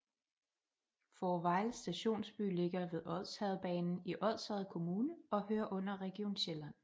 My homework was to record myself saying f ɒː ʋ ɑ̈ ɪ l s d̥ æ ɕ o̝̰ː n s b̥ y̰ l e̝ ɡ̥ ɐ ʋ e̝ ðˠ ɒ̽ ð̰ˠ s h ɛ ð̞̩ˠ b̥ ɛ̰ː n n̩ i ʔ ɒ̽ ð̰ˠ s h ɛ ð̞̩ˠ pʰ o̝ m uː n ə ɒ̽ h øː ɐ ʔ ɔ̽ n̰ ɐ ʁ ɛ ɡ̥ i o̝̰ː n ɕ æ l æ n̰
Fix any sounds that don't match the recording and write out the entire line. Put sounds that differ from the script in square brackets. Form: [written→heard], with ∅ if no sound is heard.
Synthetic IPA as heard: f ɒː ʋ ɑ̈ ɪ l s d̥ æ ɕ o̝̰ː n s b̥ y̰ l e̝ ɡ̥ ɐ ʋ e̝ ðˠ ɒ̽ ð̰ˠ s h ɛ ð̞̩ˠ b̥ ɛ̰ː n n̩ i ʔ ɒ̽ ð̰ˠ s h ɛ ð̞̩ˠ [pʰ→kʰ] o̝ m uː n ə ɒ̽ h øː ɐ ʔ ɔ̽ n̰ ɐ ʁ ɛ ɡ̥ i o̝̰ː n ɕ [æ→e] l æ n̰